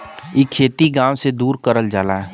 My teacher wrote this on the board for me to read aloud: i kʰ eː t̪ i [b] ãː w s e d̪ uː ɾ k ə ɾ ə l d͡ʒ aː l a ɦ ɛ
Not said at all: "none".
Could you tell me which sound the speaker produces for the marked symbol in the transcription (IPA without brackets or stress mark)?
ɡ